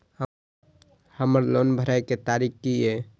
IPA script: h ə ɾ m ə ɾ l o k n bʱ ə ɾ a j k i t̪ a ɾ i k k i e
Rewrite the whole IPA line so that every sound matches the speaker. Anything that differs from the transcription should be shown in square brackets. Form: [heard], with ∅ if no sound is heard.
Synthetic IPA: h ə [∅] m ə ɾ l o [∅] n bʱ ə ɾ a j k [e] t̪ a ɾ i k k i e